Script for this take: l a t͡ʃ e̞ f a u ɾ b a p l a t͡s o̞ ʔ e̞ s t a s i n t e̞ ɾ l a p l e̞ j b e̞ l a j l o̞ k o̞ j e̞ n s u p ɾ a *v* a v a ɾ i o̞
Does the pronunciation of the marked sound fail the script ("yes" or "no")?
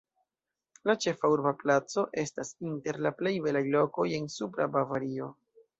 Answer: yes